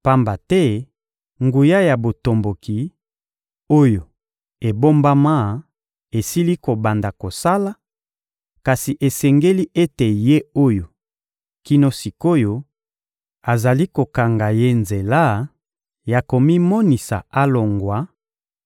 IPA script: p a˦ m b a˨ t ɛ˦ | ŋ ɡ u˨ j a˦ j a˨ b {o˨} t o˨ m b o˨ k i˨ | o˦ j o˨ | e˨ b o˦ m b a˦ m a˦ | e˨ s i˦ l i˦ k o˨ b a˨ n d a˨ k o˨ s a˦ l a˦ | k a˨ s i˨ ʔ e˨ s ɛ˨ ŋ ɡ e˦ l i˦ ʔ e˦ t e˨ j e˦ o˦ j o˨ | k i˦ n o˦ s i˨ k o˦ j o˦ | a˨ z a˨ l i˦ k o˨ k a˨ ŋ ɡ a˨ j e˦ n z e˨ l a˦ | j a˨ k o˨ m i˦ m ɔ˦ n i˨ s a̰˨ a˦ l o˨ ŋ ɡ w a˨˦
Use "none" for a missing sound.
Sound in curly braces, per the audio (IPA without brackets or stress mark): o˨